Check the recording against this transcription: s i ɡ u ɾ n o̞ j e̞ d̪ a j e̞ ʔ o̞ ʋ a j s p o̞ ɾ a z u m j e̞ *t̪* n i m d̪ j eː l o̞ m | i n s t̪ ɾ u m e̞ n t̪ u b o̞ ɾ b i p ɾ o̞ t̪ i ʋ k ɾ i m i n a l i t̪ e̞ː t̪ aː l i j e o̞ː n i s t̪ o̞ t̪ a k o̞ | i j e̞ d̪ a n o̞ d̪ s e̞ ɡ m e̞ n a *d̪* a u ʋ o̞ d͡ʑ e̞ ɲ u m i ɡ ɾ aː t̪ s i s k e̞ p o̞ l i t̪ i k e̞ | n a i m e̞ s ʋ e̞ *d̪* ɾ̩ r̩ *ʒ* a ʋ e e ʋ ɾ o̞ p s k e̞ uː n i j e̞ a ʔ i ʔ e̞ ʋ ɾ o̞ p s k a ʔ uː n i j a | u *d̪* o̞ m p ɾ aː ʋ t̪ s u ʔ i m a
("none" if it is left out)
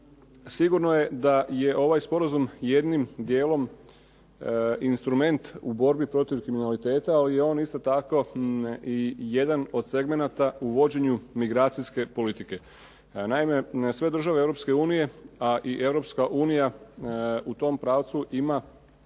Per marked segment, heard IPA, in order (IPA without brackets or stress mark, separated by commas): d̪, t̪, d̪, ʒ, t̪